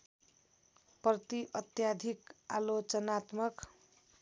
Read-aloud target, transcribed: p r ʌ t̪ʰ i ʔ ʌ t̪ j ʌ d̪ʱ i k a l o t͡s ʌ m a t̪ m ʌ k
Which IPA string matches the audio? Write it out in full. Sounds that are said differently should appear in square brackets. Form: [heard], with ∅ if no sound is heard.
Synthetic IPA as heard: p r ʌ [t̪] i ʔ ʌ t̪ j [a] d̪ʱ i k a l o t͡s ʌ [n] a t̪ m ʌ k

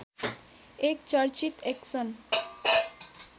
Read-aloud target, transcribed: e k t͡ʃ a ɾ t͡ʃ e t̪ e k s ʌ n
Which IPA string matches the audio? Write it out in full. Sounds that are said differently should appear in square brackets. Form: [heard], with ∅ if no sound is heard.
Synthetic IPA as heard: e k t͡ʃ [ʌ] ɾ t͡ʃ [i] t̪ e k s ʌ n

